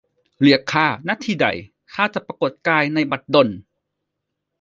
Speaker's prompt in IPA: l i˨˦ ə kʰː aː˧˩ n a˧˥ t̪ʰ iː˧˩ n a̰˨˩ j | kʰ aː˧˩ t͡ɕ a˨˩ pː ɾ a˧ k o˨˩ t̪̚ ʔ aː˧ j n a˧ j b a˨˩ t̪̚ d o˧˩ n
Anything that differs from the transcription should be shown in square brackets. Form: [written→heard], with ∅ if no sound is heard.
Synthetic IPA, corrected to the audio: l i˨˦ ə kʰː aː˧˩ n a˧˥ t̪ʰ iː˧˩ [n→d] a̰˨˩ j | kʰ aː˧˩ t͡ɕ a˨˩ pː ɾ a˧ k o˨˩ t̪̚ [ʔ→k] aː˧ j n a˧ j b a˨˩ t̪̚ d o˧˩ n